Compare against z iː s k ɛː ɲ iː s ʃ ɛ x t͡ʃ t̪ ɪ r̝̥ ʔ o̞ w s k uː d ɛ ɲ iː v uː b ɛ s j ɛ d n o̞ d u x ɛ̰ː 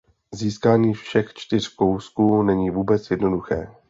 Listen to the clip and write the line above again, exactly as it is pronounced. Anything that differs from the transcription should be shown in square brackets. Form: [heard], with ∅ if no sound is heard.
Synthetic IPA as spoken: z iː s k [aː] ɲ iː [f] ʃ ɛ x t͡ʃ t̪ ɪ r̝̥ [k] o̞ w s k uː [n] ɛ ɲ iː v uː b ɛ [t͡s] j ɛ d n o̞ d u x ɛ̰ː